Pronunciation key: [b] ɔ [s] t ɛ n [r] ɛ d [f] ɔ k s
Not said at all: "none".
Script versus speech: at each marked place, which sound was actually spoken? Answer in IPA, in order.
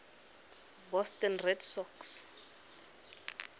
b, s, r, s

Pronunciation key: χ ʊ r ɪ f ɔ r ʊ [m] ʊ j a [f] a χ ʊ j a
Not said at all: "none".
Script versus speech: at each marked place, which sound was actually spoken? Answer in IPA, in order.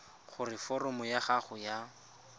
m, χ

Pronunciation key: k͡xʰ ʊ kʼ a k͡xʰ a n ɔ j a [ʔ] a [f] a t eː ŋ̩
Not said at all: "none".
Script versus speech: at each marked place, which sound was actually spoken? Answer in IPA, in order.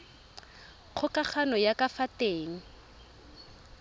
k, f

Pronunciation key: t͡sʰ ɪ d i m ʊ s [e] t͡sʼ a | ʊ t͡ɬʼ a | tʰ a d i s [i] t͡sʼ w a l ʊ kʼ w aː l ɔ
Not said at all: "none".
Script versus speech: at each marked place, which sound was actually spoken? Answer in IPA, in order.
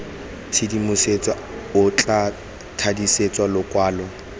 e, e

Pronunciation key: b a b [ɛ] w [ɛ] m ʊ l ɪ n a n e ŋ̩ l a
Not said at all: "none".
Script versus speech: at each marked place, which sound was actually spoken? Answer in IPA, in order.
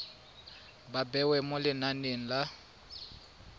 ɛ, ɛ

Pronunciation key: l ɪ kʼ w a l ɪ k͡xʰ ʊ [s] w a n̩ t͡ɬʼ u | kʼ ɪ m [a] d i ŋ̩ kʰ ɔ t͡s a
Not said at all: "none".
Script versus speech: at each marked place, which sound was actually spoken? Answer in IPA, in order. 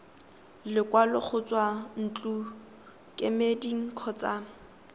t͡s, e

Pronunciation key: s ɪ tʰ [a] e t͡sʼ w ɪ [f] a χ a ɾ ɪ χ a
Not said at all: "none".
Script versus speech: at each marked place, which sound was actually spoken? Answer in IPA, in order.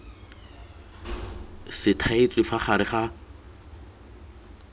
a, f

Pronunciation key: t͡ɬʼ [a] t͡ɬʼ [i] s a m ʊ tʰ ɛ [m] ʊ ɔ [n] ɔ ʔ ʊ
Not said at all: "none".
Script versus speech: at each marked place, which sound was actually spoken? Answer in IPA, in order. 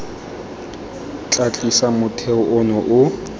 a, i, none, n

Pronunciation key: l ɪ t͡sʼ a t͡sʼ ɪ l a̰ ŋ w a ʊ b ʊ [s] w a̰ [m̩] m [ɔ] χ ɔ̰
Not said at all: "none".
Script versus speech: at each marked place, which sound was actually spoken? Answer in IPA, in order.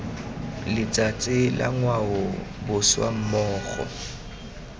s, m̩, ɔː

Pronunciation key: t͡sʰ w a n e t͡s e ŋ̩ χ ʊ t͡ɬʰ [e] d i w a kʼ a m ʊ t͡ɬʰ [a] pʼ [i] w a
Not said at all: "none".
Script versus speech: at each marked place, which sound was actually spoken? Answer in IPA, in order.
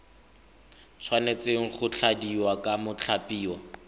a, a, iː

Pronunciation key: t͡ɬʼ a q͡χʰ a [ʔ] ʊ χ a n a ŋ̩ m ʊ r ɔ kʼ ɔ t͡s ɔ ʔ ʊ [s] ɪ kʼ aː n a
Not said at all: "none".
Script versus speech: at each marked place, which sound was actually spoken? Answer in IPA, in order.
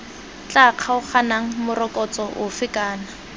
none, f

